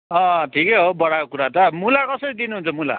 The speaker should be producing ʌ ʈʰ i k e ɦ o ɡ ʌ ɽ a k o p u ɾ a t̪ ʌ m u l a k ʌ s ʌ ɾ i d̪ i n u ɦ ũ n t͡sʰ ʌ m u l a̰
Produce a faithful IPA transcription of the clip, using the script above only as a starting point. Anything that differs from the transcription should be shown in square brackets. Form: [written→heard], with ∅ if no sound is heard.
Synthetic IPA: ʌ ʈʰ i k e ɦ o [ɡ→b] ʌ ɽ a k o [p→k] u ɾ a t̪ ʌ m u l a k ʌ s ʌ ɾ i d̪ i n u ɦ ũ n t͡sʰ ʌ m u l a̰